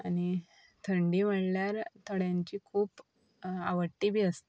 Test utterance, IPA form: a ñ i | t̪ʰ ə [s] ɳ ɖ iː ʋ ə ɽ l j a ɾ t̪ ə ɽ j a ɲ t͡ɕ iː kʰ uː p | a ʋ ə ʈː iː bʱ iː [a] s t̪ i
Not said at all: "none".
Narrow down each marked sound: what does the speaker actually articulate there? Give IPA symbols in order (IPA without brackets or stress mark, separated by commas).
none, ə